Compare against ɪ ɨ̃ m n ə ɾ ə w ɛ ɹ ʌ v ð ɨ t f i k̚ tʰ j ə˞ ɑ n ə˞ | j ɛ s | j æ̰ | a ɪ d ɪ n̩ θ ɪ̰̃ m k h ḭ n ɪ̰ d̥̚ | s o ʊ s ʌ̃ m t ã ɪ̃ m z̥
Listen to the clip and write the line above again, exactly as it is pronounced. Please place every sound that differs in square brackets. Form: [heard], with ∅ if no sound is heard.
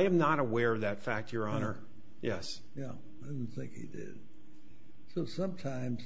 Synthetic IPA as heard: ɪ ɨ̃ m n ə ɾ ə w ɛ ɹ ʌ v ð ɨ t f [æ] k̚ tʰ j ə˞ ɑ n ə˞ | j ɛ s | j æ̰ | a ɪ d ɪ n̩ θ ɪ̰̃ [ŋ] k h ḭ [d] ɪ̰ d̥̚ | s o ʊ s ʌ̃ m [tʰ] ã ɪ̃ m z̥